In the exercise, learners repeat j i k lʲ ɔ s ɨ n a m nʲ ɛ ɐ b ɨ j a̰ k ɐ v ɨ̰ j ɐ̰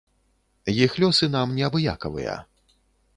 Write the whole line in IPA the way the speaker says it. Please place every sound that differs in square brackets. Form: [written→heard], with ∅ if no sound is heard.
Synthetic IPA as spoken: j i [k→x] lʲ ɔ s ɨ n a m nʲ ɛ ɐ b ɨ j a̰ k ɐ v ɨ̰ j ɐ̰